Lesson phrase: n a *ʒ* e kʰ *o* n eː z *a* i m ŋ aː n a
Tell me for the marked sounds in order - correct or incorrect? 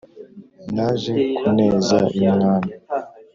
correct, incorrect: u, correct

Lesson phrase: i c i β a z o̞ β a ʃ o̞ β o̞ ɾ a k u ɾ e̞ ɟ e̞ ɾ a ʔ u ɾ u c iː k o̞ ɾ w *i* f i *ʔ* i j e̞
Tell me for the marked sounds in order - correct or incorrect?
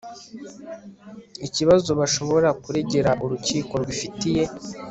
correct, incorrect: t

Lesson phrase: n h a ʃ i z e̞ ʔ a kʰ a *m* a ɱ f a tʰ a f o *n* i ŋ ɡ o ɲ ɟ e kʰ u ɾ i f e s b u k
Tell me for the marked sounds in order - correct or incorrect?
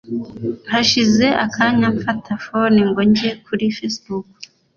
incorrect: ɲ, correct

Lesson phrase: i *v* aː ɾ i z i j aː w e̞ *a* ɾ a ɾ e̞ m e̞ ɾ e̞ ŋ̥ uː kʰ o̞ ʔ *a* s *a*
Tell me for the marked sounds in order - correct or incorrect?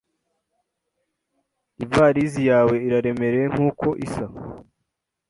correct, incorrect: i, incorrect: i, correct

